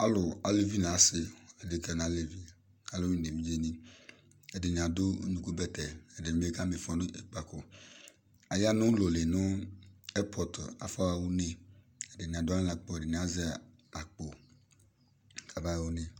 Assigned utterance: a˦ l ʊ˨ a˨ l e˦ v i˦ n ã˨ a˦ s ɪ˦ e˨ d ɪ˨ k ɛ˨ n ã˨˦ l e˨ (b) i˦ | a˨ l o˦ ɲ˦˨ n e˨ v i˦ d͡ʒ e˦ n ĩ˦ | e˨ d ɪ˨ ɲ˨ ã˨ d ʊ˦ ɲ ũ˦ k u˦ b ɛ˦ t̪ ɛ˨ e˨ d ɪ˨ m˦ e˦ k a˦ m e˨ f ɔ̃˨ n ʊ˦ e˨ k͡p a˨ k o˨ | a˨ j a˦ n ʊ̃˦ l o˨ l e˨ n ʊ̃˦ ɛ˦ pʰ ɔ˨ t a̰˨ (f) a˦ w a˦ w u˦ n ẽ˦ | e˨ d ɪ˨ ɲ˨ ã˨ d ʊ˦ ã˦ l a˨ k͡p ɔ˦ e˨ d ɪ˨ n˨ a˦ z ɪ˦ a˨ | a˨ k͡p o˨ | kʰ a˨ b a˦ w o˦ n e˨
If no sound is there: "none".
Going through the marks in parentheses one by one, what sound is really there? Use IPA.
v, f

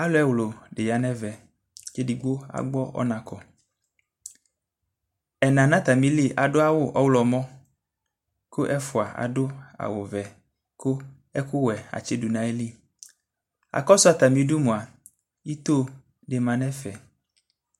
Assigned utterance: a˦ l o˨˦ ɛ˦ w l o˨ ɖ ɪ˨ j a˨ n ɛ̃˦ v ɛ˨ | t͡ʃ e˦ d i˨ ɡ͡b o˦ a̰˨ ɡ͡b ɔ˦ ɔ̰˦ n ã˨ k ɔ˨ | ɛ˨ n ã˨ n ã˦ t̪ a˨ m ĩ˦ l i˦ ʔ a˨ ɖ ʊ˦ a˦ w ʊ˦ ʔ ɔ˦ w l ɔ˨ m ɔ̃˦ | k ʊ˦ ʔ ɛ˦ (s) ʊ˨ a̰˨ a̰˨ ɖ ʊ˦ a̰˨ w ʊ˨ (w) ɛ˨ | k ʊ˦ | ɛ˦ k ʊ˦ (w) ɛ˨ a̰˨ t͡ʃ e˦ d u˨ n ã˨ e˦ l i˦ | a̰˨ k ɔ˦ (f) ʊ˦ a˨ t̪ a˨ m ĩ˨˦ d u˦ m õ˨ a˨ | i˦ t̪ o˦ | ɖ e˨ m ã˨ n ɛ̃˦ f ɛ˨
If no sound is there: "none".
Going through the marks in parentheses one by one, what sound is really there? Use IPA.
f, v, w, s

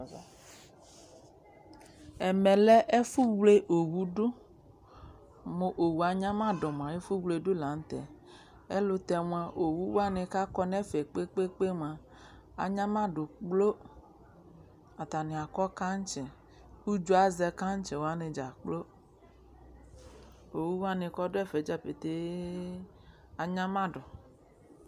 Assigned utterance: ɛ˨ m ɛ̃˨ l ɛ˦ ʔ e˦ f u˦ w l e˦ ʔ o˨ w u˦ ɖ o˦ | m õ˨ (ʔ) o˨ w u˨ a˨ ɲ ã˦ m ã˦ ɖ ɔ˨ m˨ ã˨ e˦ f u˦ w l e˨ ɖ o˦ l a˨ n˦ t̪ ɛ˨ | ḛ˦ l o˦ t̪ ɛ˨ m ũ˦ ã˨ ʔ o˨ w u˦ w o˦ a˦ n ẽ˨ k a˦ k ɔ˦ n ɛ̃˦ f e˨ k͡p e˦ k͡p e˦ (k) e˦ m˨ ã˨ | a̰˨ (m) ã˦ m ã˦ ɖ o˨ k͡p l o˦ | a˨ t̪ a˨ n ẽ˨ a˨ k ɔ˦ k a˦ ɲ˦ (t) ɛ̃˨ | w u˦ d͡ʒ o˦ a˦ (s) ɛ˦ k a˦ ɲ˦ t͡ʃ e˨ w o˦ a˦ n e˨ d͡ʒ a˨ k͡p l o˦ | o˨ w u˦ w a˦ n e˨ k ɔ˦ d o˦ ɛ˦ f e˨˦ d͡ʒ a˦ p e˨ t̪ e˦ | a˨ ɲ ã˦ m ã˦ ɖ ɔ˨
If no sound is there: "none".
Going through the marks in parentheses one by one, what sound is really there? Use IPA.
ʔ, k͡p, ɲ, t͡ʃ, z

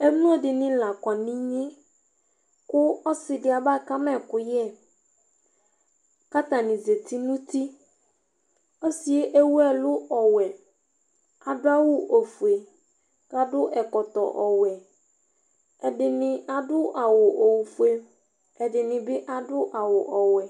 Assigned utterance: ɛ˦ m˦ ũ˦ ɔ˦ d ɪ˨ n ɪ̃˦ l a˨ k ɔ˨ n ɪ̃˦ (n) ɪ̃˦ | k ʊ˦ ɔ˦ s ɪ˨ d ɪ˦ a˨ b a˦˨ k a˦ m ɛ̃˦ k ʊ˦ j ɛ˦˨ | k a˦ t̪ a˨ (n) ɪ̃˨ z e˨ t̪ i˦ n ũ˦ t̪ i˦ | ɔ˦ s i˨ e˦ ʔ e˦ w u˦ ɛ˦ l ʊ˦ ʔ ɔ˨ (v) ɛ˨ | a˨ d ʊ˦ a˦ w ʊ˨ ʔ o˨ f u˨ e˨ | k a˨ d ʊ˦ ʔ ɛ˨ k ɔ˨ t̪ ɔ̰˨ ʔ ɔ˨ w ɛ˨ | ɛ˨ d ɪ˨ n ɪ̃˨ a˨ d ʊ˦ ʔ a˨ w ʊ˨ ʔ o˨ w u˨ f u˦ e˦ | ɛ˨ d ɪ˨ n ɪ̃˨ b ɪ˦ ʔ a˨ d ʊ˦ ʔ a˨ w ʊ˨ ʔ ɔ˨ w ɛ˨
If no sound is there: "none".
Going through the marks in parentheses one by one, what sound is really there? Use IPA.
ɲ, n, w

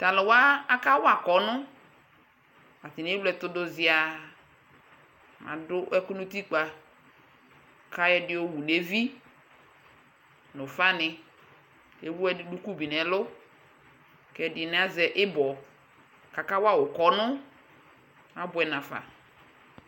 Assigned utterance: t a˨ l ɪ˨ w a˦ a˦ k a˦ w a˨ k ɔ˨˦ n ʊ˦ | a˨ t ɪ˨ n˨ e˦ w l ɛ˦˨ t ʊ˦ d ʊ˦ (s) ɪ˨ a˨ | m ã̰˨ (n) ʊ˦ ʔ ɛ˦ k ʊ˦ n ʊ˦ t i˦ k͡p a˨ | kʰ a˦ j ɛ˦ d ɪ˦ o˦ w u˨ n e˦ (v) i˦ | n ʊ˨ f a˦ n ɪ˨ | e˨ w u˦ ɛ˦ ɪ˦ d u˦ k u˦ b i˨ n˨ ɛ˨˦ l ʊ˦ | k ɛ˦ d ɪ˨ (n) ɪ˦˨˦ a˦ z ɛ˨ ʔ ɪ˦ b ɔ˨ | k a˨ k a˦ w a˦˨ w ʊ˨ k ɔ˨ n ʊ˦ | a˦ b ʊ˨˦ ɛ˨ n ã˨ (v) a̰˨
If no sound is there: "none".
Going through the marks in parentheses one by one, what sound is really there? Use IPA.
z, d, v, n, f

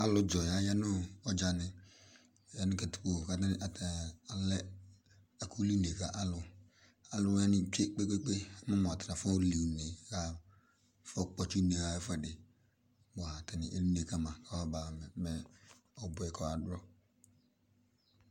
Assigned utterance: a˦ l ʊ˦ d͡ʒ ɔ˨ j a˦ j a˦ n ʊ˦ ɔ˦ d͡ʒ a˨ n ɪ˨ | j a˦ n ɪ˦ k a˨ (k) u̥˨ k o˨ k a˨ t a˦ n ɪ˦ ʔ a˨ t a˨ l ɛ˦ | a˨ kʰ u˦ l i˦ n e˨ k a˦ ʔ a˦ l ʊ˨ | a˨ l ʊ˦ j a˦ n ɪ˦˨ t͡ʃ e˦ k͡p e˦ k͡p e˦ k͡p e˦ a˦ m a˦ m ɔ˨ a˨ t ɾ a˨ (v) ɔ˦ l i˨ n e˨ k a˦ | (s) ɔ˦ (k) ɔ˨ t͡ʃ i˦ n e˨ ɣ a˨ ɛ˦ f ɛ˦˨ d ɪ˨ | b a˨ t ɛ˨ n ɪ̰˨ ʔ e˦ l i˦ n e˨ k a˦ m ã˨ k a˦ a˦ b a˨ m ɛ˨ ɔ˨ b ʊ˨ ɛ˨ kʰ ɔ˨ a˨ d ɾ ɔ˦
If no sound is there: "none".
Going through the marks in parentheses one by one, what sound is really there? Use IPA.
t, f, f, k͡p

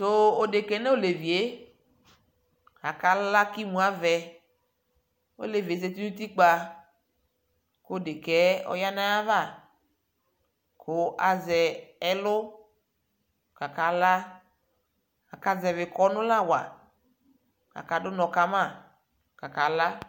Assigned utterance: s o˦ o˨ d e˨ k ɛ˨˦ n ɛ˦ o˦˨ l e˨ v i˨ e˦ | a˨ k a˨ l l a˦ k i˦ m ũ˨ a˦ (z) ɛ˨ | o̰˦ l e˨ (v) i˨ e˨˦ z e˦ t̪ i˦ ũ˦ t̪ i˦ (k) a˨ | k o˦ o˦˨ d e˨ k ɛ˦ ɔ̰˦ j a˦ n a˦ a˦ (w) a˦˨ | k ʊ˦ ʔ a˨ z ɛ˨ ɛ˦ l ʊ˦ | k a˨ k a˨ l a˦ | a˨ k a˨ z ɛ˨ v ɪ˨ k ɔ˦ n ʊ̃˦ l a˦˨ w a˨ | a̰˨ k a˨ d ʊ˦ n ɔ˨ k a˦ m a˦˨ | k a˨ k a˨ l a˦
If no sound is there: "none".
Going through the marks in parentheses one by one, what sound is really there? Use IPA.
v, v, k͡p, v

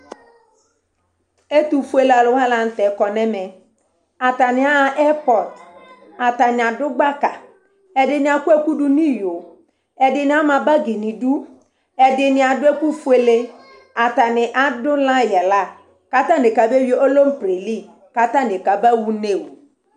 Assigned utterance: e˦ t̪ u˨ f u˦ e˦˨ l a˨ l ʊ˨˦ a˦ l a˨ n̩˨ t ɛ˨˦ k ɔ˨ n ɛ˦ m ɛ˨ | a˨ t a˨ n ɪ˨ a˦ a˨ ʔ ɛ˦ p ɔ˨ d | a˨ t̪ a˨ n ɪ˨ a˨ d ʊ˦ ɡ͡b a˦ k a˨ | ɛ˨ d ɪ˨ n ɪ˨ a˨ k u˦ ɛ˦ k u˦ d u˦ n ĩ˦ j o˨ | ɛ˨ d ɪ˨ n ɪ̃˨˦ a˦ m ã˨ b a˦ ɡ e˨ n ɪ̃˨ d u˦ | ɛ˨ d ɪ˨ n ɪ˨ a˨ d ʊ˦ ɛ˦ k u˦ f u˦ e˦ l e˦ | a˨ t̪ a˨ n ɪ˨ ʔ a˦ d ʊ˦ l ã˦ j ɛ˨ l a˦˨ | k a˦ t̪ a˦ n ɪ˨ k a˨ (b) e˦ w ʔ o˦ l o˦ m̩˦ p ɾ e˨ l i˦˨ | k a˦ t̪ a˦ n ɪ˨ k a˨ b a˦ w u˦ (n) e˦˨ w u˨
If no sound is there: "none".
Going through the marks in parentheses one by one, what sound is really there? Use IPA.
b, n

